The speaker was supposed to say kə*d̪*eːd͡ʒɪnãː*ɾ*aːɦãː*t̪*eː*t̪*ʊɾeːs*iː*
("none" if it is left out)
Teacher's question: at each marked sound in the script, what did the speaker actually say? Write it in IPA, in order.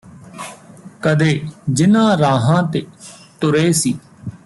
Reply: d̪, ɾ, t̪, t̪, iː

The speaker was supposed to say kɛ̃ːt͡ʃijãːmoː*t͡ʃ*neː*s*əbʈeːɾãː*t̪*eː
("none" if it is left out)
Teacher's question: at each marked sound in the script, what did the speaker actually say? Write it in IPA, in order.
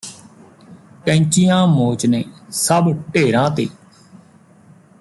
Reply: t͡ʃ, s, t̪

